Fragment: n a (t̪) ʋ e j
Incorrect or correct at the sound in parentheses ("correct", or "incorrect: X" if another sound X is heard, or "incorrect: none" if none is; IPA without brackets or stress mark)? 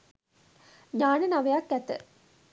incorrect: none